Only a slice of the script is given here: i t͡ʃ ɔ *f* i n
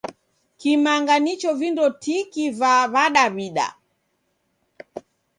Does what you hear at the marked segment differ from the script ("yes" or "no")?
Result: yes